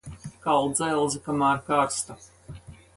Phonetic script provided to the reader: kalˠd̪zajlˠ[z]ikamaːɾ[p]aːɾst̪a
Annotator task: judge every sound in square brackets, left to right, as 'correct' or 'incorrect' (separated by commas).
correct, incorrect